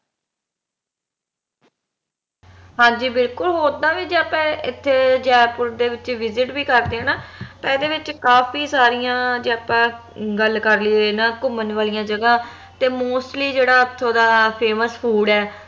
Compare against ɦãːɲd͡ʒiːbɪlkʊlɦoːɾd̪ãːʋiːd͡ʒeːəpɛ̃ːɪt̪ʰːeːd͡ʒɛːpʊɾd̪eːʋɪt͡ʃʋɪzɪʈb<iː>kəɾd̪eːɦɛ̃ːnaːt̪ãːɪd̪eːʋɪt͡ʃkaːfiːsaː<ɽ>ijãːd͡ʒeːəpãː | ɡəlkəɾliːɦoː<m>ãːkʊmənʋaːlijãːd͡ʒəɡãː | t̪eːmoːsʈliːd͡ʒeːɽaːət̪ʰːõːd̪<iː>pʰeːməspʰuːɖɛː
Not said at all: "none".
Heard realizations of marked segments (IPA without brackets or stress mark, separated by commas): iː, ɾ, n, aː